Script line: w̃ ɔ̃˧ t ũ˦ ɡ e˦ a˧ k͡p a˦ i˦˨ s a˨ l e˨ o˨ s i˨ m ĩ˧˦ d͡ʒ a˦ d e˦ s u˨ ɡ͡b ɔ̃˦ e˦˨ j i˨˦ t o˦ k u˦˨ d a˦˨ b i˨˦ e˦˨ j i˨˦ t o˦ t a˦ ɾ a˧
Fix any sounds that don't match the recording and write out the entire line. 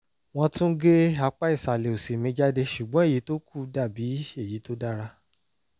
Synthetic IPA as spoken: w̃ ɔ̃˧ t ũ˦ ɡ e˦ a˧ k͡p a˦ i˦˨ s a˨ l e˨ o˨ s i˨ m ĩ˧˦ d͡ʒ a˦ d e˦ ʃ u˨ ɡ͡b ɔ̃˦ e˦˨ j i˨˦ t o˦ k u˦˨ d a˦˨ b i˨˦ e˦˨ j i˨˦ t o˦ d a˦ ɾ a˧